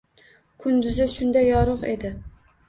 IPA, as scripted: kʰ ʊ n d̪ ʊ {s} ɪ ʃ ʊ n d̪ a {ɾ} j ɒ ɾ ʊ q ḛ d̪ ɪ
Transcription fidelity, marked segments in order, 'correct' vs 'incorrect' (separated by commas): incorrect, incorrect